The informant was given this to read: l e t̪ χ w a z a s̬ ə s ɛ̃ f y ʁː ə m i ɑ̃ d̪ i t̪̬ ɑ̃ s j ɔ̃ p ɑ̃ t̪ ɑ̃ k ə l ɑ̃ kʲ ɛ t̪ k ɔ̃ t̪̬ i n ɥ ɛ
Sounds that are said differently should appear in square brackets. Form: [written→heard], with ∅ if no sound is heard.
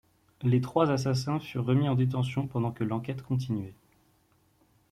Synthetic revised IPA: l e t̪ χ w a z a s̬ [ə→a] s ɛ̃ f y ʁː ə m i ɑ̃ d̪ [i→e] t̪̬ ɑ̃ s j ɔ̃ p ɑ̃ [t̪→d̪] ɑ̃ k ə l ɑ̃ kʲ ɛ t̪ k ɔ̃ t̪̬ i n ɥ ɛ

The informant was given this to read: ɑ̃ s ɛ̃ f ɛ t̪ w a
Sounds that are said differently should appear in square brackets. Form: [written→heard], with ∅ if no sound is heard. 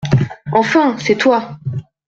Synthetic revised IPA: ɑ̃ [s→f] ɛ̃ [f→s] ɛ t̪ w a

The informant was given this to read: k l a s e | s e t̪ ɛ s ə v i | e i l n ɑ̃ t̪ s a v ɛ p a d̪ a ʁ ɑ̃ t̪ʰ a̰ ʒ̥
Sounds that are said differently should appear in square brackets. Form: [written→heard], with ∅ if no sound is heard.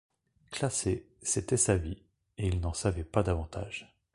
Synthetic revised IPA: k l a s e | s e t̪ ɛ s [ə→a] v i | e i l n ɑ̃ [t̪→∅] s a v ɛ p a d̪ a [ʁ→v] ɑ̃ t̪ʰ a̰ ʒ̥

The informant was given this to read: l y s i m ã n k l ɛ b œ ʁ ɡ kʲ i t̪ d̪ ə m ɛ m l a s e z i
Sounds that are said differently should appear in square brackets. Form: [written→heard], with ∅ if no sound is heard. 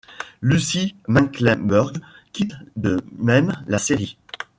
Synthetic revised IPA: l y s i m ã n k l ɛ b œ ʁ ɡ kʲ i t̪ d̪ ə m ɛ m l a s e [z→ʁ] i

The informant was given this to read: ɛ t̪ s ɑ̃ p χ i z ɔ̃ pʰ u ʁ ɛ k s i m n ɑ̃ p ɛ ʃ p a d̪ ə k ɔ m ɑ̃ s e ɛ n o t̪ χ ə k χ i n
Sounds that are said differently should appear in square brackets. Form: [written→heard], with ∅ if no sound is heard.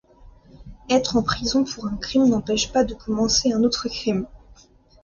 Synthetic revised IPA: ɛ t̪ [s→χ] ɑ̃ p χ i z ɔ̃ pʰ u ʁ [ɛ→ɛ̃] k [s→χ] i m n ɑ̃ p ɛ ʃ p a d̪ ə k ɔ m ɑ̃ s e [ɛ→ɛ̃] n o t̪ χ ə k χ i [n→m]

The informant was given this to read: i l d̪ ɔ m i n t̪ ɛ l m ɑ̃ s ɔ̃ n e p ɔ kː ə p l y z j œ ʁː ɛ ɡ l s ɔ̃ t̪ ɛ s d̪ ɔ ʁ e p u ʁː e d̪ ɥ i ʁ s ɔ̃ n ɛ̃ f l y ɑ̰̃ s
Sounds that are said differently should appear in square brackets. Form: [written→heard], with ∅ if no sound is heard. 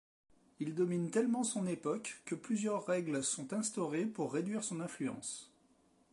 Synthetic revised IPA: i l d̪ ɔ m i n t̪ ɛ l m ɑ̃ s ɔ̃ n e p ɔ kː ə p l y z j œ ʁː ɛ ɡ l s ɔ̃ t̪ [ɛ→ɛ̃] s [d̪→t̪] ɔ ʁ e p u ʁː e d̪ ɥ i ʁ s ɔ̃ n ɛ̃ f l y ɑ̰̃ s

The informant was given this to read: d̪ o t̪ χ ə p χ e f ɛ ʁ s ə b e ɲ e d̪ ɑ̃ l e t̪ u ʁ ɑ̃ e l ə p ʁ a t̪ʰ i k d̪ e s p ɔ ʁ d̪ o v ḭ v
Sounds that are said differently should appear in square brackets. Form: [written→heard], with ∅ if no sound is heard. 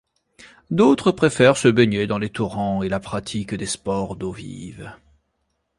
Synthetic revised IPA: d̪ o t̪ χ ə p χ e f ɛ ʁ s ə b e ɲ e d̪ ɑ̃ l e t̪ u ʁ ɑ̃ e l [ə→a] p [ʁ→χ] a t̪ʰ i k d̪ e s p ɔ ʁ d̪ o v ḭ v

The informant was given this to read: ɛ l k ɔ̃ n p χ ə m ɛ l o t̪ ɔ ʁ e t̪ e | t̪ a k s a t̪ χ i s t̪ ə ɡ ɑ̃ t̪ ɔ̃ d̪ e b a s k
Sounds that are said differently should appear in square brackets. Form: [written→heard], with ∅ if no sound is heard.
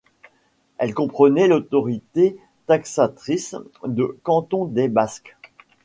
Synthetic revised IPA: ɛ l k ɔ̃ [n→∅] p χ ə [m→n] ɛ l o t̪ ɔ ʁ [e→i] t̪ e | t̪ a k s a t̪ χ i s [t̪→d̪] ə [ɡ→k] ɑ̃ t̪ ɔ̃ d̪ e b a s k

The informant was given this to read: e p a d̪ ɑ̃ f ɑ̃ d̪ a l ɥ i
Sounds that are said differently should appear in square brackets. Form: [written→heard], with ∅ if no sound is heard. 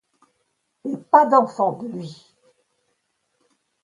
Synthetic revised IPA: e p a d̪ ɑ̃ f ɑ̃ d̪ [a→ə] l ɥ i

